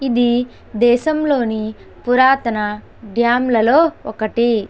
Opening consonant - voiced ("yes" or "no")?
yes